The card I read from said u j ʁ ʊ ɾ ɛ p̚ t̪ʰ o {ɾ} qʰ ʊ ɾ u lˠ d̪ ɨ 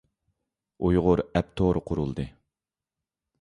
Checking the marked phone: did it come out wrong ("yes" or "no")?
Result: no